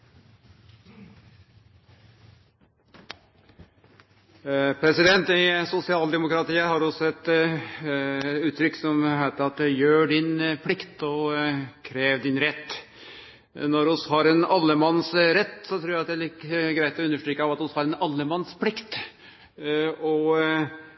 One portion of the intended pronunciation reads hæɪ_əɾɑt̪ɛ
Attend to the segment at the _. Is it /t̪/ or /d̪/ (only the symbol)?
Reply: t̪